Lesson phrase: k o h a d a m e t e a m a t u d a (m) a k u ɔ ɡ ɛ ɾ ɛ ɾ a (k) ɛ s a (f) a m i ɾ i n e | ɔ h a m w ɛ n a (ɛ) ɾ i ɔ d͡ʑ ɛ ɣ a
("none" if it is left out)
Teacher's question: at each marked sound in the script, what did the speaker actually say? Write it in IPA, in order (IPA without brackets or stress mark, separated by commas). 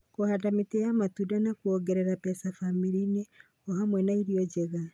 n, p, f, i